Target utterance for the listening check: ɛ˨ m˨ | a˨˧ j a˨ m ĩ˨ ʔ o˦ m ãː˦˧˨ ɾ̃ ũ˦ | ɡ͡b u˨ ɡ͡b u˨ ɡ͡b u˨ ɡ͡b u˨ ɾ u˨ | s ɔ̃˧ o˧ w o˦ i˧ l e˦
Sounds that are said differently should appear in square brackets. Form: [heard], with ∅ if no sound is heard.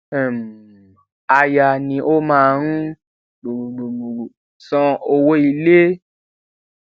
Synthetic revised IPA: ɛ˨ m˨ | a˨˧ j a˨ [n] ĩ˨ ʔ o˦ m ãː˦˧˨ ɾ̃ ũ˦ | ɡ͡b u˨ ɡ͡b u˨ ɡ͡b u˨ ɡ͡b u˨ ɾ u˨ | s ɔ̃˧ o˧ w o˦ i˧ l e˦

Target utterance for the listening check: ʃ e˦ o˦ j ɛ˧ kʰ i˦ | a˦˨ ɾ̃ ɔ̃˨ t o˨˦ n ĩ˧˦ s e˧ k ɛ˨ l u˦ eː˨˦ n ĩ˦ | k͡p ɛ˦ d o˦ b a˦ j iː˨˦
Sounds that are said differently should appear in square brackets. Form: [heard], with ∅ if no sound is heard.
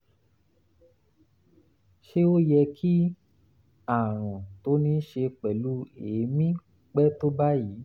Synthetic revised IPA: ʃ e˦ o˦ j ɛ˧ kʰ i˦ | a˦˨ ɾ̃ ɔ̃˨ t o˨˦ n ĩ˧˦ [ʃ] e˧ [k͡p] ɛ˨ l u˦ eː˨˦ [m] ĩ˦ | k͡p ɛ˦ [t] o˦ b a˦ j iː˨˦

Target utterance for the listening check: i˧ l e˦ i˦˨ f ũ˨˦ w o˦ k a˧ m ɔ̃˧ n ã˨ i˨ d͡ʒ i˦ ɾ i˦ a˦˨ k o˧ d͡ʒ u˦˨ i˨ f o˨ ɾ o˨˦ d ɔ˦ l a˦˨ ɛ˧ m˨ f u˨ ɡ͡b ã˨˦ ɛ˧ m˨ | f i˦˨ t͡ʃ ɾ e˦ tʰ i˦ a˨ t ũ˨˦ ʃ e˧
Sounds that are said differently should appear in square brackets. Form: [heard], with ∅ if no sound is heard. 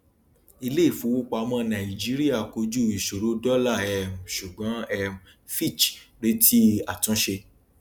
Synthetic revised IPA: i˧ l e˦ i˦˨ f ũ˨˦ w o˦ [k͡p] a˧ m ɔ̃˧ n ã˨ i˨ d͡ʒ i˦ ɾ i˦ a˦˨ k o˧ d͡ʒ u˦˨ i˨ [ʃ] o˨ ɾ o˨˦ d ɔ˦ l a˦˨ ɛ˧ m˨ [ʃ] u˨ ɡ͡b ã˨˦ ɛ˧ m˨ | f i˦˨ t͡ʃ ɾ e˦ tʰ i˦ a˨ t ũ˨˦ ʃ e˧

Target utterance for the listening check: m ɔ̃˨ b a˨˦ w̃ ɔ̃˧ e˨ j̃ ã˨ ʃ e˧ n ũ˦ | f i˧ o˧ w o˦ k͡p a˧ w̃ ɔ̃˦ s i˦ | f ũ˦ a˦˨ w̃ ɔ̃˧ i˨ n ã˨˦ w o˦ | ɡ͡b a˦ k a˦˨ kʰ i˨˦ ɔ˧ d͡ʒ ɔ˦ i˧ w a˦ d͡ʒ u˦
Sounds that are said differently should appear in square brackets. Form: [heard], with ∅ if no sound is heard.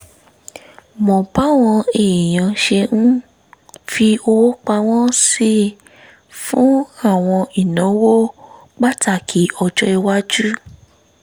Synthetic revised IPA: m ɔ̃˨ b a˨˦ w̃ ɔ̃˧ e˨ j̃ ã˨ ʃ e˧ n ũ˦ | f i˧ o˧ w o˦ k͡p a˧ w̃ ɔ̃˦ s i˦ | f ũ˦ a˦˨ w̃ ɔ̃˧ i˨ n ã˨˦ w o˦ | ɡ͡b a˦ [t] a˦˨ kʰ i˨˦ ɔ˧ d͡ʒ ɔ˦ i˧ w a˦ d͡ʒ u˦

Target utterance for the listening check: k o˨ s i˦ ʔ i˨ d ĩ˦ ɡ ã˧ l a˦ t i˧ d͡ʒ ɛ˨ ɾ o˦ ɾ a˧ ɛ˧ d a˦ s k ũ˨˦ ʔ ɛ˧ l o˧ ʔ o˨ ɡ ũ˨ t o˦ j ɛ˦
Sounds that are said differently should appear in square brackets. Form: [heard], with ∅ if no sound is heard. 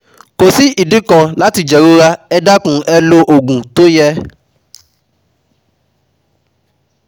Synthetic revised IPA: k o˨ s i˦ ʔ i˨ d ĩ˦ [k] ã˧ l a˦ t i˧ d͡ʒ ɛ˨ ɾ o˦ ɾ a˧ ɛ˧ d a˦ [∅] k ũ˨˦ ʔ ɛ˧ l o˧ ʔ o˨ ɡ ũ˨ t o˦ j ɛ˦

